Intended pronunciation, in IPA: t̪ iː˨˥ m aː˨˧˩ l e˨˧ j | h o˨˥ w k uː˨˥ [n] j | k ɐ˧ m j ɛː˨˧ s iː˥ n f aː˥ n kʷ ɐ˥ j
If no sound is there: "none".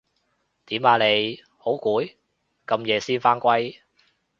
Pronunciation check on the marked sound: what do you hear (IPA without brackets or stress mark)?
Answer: none